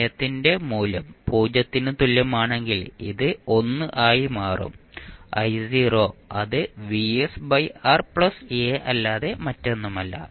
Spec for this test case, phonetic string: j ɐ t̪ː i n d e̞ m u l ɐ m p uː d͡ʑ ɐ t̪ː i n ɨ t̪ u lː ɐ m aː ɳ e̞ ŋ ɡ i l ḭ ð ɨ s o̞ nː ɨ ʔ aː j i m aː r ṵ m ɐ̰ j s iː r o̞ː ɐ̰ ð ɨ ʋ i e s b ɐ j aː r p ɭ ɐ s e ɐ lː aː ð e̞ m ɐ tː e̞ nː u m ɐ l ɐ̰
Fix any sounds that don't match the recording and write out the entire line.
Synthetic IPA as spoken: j ɐ t̪ː i n d e̞ m uː l ɐ m p uː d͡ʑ ɐ t̪ː i n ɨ t̪ u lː ɐ m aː ɳ e̞ ŋ ɡ i l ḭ ð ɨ o̞ nː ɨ ʔ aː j i m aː r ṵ m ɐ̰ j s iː r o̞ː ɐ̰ ð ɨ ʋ i e s b ɐ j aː r p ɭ ɐ s e ɐ lː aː ð e̞ m ɐ tː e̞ nː u m ɐ lː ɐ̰

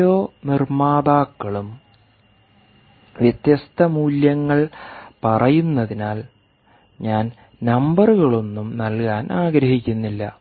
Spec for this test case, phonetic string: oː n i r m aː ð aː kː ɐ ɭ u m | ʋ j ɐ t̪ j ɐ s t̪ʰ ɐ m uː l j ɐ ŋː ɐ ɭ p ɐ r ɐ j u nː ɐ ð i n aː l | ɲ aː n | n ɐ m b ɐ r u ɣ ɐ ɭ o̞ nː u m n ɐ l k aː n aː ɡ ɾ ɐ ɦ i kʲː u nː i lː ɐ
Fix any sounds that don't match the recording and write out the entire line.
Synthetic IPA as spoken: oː n i r m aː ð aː kː ɐ ɭ u m | ʋ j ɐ t̪ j ɐ s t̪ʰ ɐ m uː l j ɐ ŋː ɐ ɭ p ɐ r ɐ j u nː ɐ ð i n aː l | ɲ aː n | n ɐ m b ɐ r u ɣ ɐ ɭ o̞ nː u m n ɐ l k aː n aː ɡ ɾ ɐ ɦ i kʲː u nː i lː ɐ

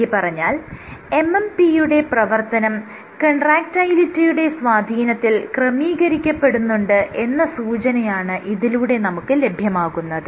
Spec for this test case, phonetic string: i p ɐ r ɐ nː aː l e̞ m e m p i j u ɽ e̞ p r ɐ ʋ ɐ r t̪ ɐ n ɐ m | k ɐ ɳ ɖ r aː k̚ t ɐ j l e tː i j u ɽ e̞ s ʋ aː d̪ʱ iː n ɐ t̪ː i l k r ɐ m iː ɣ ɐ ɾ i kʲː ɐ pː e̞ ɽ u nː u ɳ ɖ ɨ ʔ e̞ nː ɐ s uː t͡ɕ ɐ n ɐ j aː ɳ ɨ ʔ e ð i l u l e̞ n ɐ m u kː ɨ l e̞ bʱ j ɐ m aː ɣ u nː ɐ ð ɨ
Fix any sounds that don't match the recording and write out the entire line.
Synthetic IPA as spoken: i p ɐ r ɐ ɲː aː l e̞ m e m p i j u ɽ e̞ p r ɐ ʋ ɐ r t̪ ɐ n ɐ m | k ɐ ɳ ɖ r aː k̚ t ɐ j l i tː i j u ɽ e̞ s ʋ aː d̪ʱ iː n ɐ t̪ː i l k r ɐ m iː ɣ ɐ ɾ i kʲː ɐ pː e̞ ɽ u nː u ɳ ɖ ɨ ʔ e̞ nː ɐ s uː t͡ɕ ɐ n ɐ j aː ɳ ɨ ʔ i ð i l u ɽ e̞ n ɐ m u kː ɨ l e̞ bʱ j ɐ m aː ɣ u nː ɐ ð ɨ

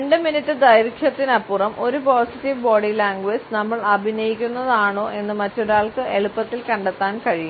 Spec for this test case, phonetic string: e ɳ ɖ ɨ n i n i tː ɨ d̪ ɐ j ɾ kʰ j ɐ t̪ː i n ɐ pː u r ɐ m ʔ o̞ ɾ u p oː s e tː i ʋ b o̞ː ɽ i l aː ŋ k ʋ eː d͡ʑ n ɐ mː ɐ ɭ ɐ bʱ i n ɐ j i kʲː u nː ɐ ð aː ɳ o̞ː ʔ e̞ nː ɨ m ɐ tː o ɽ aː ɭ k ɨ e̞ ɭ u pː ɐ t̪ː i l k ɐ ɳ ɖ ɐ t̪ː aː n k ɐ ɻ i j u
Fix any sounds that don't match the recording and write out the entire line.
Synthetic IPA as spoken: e ɳ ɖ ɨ m i n i tː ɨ d̪ ɐ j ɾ kʰ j ɐ t̪ː i n ɐ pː u r ɐ m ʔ o̞ ɾ u p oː s i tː i ʋ b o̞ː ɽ i l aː ŋ ɡ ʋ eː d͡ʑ n ɐ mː ɐ ɭ ɐ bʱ i n ɐ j i kʲː u nː ɐ ð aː ɳ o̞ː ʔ e̞ nː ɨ m ɐ tː o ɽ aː ɭ k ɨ e̞ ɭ u pː ɐ t̪ː i l k ɐ ɳ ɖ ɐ t̪ː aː n k ɐ ɻ i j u

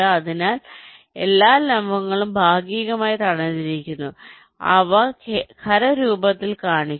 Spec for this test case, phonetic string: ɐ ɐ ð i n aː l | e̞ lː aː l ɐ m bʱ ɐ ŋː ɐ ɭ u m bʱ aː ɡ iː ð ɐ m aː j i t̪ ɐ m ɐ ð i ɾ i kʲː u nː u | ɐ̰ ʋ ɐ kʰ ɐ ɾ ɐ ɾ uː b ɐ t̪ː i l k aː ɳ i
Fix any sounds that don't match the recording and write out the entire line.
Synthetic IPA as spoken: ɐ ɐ ð i n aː l | e̞ lː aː l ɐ m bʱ ɐ ŋː ɐ ɭ u m bʱ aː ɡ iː ɣ ɐ m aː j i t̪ ɐ ɳ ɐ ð i ɾ i kʲː u nː u | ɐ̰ ʋ ɐ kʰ ɐ ɾ ɐ ɾ uː b ɐ t̪ː i l k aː ɳ i

